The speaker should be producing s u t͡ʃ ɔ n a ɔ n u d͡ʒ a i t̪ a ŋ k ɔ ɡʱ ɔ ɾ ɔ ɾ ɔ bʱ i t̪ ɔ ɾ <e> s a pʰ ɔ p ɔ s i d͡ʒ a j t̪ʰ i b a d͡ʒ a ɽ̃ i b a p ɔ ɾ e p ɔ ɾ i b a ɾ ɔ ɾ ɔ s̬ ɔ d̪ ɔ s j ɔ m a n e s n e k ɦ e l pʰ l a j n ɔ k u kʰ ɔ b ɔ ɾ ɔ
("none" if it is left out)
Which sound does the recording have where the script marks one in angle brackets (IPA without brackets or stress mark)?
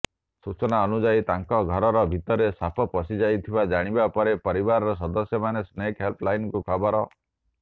e